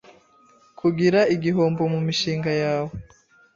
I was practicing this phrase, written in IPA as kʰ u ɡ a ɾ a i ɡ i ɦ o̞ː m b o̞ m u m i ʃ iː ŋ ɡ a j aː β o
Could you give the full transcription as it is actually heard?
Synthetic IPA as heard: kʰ u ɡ i ɾ a i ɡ i ɦ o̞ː m b o̞ m u m i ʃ iː ŋ ɡ a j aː w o